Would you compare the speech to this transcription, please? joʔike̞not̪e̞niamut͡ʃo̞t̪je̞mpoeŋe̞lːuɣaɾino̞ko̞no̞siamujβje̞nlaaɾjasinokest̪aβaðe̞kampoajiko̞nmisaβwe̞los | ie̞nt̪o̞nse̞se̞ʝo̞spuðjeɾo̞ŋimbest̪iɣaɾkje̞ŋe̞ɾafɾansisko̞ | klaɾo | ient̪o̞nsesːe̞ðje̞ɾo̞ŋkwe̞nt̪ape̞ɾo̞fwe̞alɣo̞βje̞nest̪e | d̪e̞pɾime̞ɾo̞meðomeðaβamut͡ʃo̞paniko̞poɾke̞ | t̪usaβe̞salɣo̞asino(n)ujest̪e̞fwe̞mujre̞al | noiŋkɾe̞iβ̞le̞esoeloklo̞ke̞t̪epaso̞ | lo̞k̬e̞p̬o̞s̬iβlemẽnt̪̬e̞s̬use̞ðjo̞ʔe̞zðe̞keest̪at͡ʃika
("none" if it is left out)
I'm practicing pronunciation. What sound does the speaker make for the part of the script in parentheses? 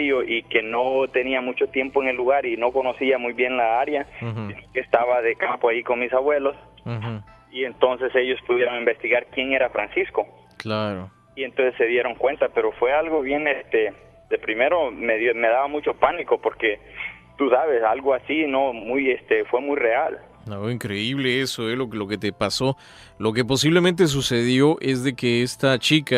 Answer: m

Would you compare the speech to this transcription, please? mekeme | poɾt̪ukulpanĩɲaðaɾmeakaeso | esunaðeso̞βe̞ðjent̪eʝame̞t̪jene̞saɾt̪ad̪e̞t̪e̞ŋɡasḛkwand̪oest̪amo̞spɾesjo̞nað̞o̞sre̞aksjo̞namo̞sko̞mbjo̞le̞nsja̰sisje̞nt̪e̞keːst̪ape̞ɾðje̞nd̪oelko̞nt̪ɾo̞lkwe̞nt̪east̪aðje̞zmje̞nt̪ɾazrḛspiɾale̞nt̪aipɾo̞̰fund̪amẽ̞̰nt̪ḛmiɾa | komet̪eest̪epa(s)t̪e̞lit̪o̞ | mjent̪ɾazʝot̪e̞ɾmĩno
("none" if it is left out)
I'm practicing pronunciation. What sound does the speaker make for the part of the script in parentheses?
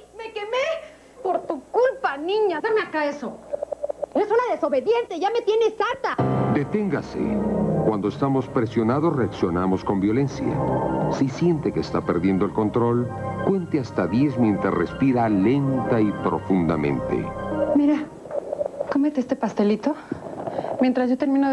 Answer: s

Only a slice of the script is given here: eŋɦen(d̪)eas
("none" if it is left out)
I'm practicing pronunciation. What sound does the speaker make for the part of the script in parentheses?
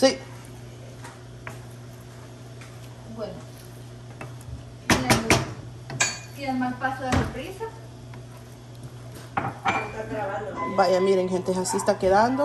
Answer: t̪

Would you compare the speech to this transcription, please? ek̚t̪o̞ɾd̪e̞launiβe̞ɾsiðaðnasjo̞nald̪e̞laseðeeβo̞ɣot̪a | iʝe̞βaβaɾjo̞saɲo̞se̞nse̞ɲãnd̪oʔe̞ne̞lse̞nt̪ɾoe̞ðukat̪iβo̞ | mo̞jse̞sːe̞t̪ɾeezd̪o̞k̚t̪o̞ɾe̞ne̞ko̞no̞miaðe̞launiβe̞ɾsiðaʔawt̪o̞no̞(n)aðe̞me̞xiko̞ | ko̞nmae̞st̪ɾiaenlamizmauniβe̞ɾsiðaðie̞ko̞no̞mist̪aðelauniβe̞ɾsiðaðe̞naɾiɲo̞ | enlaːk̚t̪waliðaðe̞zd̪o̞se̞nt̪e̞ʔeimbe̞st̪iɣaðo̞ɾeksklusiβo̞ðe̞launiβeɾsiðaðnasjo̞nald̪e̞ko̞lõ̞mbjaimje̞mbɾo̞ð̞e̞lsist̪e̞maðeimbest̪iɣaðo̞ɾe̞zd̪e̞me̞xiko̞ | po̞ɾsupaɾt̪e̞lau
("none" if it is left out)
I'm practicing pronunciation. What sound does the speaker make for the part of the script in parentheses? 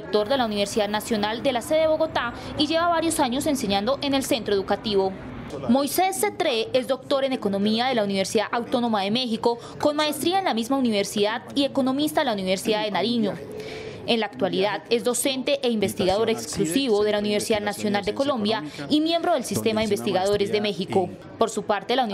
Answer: m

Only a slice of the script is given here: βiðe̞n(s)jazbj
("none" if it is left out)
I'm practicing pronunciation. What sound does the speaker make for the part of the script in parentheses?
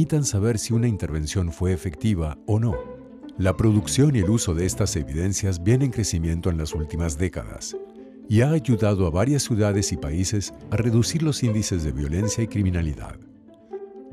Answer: s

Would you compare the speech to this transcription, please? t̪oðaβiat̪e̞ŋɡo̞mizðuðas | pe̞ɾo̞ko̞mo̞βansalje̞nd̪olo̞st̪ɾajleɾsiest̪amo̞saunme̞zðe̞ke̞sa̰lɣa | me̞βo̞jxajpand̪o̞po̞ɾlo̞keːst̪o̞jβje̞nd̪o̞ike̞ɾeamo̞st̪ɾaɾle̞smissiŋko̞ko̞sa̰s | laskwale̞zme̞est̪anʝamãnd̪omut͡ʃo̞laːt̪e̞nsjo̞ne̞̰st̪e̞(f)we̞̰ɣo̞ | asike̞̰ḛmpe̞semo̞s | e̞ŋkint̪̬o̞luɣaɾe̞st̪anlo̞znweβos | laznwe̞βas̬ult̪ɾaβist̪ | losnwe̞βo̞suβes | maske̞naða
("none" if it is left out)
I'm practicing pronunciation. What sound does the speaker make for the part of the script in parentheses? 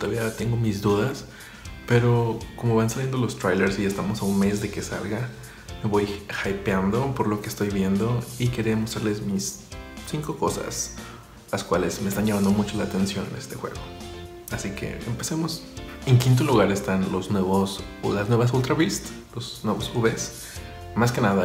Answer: x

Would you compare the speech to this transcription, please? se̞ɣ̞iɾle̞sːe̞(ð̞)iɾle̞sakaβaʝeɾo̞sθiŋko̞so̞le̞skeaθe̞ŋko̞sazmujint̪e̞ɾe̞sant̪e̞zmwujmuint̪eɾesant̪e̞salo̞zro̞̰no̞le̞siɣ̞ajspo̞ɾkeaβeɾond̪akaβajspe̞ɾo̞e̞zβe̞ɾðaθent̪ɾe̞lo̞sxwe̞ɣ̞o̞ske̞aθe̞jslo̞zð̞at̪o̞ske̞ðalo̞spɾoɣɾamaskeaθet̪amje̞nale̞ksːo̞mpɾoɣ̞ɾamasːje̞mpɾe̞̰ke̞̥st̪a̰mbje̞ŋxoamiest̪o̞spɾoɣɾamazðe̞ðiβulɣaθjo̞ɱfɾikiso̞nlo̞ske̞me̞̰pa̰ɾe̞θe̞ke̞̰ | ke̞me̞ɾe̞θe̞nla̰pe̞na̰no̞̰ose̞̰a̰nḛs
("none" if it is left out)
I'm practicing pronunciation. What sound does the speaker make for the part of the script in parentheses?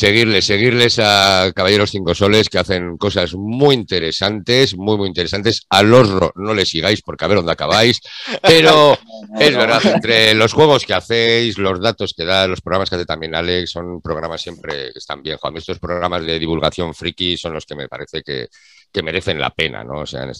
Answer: ɣ̞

